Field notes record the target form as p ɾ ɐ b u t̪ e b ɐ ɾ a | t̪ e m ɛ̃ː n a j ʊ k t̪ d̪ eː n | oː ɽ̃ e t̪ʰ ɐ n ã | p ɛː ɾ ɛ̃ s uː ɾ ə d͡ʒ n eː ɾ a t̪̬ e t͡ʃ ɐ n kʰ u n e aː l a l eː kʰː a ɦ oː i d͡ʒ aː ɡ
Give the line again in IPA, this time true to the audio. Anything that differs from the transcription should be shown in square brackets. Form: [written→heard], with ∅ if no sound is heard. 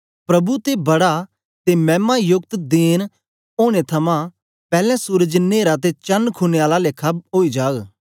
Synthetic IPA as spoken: p ɾ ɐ b u t̪ e b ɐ [ɾ→ɽ] a | t̪ e m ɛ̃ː [n→m] a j ʊ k t̪ d̪ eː n | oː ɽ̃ e t̪ʰ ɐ [n→m] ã | p ɛː [ɾ→l] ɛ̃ s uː ɾ ə d͡ʒ n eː ɾ a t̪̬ e t͡ʃ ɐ n kʰ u n e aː l a l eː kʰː a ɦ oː i d͡ʒ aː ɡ